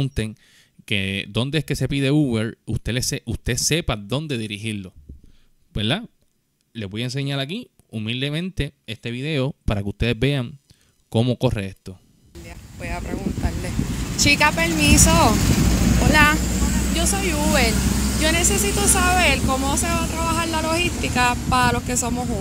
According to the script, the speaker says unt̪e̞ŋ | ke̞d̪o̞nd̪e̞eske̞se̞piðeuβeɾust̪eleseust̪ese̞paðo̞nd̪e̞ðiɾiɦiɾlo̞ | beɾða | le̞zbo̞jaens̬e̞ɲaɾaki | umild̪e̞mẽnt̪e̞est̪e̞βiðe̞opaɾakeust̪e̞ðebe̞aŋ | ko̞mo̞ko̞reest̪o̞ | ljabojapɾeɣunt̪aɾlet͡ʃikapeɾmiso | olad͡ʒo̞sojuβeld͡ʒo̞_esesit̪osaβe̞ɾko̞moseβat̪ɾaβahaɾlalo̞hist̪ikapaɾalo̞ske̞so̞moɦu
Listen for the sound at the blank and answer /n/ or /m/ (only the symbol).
n